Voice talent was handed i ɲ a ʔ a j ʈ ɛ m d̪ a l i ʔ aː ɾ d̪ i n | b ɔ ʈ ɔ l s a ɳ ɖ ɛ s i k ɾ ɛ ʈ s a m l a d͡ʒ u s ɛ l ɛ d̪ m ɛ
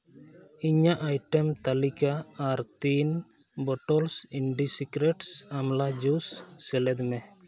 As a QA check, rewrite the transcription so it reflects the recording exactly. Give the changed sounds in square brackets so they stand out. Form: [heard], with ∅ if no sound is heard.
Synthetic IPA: i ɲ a ʔ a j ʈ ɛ m [t̪] a l i [k] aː ɾ [t̪] i n | b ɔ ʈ ɔ l s [i] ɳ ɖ [i] s i k ɾ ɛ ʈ s a m l a d͡ʒ u [sː] ɛ l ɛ d̪ m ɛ